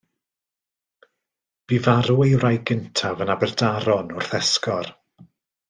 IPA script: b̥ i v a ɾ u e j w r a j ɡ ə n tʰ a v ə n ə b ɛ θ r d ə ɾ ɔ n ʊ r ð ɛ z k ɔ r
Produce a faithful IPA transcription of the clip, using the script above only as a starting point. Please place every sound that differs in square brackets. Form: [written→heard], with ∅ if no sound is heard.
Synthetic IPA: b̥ i v a ɾ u e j w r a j ɡ ə n tʰ a v ə n [ə→a] b ɛ [θ→∅] r d [ə→a] ɾ ɔ n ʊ r [ð→θ] ɛ [z→s] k ɔ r